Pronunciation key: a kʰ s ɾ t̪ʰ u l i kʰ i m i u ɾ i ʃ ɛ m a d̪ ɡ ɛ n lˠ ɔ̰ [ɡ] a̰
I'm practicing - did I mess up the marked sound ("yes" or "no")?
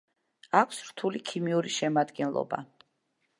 yes